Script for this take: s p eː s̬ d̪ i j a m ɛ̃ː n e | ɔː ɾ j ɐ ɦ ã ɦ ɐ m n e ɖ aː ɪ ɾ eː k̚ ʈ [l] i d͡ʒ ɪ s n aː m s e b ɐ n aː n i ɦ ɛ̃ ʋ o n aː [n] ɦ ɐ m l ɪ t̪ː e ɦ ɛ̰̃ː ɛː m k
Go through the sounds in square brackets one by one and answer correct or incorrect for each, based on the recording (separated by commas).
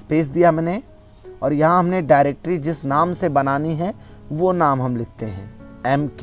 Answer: incorrect, incorrect